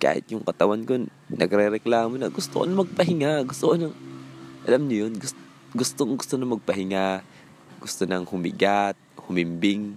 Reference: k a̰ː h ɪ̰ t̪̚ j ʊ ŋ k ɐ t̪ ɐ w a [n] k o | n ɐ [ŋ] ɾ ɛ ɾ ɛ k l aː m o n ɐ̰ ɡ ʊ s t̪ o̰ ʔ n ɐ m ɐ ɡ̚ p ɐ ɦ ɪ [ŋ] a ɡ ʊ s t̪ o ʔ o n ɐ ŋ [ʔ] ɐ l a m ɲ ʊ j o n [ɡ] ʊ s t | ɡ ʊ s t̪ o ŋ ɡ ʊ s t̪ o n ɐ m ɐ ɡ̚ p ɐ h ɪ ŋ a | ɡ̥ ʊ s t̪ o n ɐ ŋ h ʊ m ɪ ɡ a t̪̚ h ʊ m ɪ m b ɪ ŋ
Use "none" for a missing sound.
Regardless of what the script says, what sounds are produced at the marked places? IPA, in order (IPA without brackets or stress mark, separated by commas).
n, ɡ, ŋ, ʔ, ɡ